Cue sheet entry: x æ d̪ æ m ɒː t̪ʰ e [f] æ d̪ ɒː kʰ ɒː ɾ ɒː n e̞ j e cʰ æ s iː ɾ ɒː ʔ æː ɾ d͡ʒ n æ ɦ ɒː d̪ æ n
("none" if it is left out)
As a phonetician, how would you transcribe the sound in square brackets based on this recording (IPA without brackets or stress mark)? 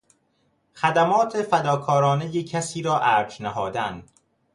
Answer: f